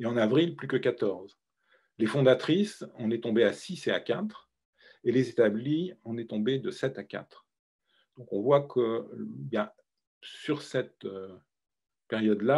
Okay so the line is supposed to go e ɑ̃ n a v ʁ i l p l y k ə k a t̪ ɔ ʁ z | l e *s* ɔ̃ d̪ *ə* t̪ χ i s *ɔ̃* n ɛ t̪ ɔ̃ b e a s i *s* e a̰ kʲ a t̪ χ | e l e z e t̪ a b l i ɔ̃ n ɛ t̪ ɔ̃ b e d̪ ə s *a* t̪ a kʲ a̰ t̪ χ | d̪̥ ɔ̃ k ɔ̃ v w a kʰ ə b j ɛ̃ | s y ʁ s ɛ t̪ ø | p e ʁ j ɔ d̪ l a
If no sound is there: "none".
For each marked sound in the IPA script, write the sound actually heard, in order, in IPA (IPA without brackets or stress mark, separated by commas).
f, a, ɔ̃, s, ɛ